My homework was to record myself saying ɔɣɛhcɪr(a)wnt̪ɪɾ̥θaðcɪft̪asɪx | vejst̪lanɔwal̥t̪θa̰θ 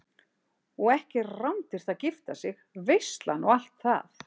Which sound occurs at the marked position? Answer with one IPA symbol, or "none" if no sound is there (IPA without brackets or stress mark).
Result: a